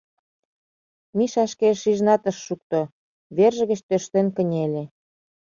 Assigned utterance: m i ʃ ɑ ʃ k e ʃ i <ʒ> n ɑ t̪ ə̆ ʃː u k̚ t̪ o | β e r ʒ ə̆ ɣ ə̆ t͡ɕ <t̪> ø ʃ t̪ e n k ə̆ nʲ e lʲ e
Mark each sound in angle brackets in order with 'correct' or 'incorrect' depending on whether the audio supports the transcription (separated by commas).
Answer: correct, correct